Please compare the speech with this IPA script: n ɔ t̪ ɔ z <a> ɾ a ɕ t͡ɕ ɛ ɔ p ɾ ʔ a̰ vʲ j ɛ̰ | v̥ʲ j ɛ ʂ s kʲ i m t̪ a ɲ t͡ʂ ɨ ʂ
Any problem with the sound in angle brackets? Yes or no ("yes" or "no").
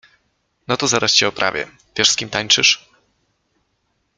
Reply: no